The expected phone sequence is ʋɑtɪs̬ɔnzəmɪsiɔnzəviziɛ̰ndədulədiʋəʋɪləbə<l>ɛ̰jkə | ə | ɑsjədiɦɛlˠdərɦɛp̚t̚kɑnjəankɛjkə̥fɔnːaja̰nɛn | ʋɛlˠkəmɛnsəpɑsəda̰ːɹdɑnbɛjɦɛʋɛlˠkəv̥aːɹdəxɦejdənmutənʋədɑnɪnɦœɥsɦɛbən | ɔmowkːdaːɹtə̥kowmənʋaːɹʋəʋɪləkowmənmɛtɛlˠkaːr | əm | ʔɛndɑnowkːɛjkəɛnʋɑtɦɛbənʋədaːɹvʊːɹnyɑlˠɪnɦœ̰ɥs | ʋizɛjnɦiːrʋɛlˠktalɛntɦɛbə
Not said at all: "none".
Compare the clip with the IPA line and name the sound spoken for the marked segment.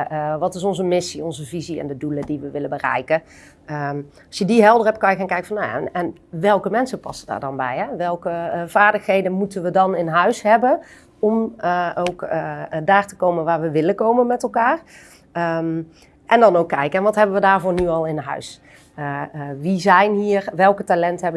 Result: r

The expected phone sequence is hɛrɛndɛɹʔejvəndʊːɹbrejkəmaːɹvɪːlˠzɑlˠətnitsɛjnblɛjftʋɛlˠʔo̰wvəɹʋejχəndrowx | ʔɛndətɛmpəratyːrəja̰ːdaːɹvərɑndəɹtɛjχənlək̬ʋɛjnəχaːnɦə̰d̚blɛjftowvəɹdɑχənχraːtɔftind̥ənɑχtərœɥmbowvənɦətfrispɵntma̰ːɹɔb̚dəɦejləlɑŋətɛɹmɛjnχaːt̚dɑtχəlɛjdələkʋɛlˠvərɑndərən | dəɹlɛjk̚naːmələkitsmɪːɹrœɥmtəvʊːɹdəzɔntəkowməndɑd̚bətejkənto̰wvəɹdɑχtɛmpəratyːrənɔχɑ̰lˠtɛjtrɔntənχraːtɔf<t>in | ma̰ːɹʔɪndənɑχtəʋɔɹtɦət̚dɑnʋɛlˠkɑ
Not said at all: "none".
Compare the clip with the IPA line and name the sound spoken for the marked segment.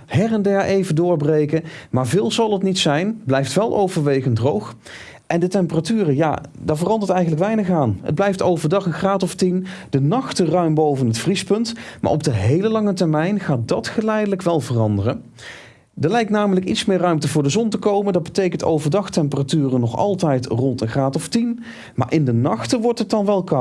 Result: t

